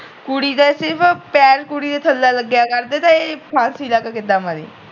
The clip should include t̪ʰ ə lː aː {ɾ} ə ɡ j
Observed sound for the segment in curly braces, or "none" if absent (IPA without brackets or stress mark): l